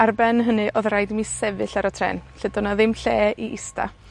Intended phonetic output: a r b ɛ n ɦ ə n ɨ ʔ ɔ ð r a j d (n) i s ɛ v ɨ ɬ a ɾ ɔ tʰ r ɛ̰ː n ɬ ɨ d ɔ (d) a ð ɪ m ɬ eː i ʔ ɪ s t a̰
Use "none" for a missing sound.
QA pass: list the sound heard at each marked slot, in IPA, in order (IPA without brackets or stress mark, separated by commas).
m, n